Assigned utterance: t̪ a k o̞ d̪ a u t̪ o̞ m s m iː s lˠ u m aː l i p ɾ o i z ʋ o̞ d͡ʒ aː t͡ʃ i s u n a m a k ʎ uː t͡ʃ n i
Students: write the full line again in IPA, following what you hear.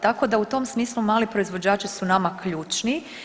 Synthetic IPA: t̪ a k o̞ d̪ a u t̪ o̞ m s m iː s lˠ u m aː l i p ɾ o i z ʋ o̞ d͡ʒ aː t͡ʃ i s u n a m a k ʎ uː t͡ʃ n i